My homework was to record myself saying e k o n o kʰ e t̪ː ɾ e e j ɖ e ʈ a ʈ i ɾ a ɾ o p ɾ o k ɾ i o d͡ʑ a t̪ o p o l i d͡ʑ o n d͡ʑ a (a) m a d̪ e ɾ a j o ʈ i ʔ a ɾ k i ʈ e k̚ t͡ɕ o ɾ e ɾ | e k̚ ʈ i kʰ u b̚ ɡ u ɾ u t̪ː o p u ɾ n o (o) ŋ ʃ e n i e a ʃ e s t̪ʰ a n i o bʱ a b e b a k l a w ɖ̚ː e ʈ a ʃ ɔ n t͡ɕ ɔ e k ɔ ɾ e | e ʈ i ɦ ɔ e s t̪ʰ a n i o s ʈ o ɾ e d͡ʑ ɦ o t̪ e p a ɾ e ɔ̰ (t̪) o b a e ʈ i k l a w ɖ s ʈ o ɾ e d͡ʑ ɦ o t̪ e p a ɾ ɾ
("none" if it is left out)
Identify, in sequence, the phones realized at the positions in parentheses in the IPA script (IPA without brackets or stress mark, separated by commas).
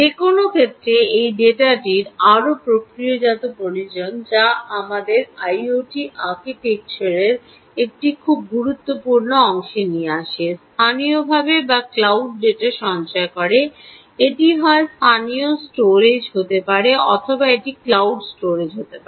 a, ɔ, t̪ʰ